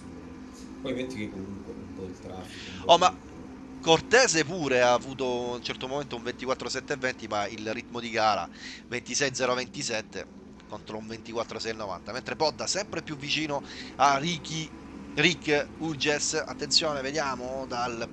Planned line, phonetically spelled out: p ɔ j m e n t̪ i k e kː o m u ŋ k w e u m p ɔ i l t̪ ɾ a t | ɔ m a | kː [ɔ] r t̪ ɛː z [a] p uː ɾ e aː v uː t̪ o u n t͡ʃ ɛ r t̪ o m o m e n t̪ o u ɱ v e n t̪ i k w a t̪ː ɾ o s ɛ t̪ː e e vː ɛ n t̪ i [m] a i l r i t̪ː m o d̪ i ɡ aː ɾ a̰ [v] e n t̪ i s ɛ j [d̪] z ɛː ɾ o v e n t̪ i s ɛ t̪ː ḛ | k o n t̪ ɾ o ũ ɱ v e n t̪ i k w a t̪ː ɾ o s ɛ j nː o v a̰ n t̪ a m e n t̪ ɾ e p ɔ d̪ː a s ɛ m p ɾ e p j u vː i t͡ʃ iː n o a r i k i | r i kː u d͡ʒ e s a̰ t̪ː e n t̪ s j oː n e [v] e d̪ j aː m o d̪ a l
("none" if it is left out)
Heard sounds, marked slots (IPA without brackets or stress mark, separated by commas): o, e, m, v, d̪, v